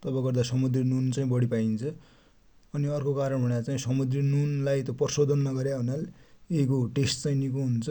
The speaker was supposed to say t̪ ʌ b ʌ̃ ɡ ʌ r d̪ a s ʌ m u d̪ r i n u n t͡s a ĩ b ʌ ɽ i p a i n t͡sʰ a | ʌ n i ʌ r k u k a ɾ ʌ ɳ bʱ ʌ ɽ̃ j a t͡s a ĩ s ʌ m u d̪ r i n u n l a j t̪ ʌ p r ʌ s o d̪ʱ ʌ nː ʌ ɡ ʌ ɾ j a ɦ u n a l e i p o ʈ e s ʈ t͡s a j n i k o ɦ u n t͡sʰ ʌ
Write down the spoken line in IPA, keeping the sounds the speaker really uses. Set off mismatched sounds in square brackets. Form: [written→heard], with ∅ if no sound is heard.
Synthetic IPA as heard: t̪ ʌ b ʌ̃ ɡ ʌ r d̪ a s ʌ m u d̪ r i n u n t͡s a ĩ b ʌ ɽ i p a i n t͡sʰ [a→ʌ] | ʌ n i ʌ r k [u→o] k a ɾ ʌ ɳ bʱ ʌ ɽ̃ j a t͡s a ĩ s ʌ m u d̪ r i n u n l a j t̪ ʌ p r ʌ s o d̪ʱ ʌ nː ʌ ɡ ʌ ɾ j a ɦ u n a l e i [p→k] o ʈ e s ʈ t͡s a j n i k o ɦ u n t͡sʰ ʌ

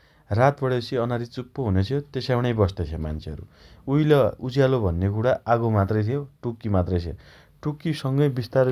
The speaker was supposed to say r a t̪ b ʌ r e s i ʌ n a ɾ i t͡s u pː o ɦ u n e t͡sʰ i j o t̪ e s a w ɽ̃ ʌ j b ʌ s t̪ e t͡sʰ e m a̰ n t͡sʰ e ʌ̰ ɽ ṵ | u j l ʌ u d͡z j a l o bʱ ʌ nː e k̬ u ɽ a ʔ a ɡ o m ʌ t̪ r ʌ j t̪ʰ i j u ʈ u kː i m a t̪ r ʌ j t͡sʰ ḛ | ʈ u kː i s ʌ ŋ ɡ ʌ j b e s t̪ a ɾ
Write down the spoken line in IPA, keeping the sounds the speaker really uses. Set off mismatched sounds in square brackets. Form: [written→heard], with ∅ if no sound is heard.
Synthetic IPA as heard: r a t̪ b ʌ [r→ɽ] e s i ʌ n a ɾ i t͡s u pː o ɦ u n e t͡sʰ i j o t̪ e s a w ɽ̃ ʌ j b ʌ s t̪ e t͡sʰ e m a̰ n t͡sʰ e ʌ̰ [ɽ→ɾ] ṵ | u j l ʌ u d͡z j a l o bʱ ʌ nː e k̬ u ɽ a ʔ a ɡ o m [ʌ→a] t̪ r ʌ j t̪ʰ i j [u→o] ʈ u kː i m a t̪ r ʌ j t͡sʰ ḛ | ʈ u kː i s ʌ ŋ ɡ ʌ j b [e→i] s t̪ a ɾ

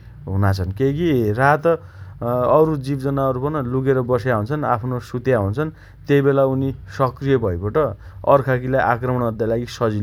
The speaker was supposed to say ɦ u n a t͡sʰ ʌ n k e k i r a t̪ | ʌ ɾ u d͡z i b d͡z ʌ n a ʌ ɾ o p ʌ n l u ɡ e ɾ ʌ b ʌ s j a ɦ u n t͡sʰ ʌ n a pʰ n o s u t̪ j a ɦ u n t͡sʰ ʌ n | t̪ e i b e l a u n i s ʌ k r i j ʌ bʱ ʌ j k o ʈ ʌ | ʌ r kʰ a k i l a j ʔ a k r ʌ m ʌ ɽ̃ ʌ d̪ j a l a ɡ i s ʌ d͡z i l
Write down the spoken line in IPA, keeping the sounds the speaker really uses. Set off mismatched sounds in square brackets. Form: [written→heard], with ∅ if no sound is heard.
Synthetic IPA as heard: ɦ u n a t͡sʰ ʌ n k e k i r a t̪ | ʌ ɾ u d͡z i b d͡z ʌ n a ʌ ɾ [o→u] p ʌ n l u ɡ e ɾ ʌ b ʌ s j a ɦ u n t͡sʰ ʌ n a pʰ n o s u t̪ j a ɦ u n t͡sʰ ʌ n | t̪ e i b e l a u n i s ʌ k r i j ʌ bʱ ʌ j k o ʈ ʌ | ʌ r kʰ a k i l a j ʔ a k r ʌ m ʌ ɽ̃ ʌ d̪ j a l a ɡ i s ʌ d͡z i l

